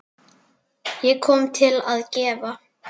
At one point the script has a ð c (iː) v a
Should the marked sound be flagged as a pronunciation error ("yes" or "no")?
yes